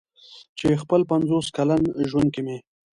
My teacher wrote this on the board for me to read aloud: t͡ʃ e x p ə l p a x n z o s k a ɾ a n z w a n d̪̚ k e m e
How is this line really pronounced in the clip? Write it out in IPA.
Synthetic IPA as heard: t͡ʃ e x p ə l p a n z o s k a l a n ʒ w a n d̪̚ k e m e